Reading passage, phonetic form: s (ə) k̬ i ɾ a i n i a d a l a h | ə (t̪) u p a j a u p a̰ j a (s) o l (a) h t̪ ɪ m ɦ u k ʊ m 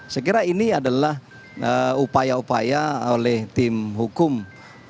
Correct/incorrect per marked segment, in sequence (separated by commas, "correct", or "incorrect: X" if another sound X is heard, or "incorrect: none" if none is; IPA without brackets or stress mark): correct, incorrect: none, incorrect: none, incorrect: ɛ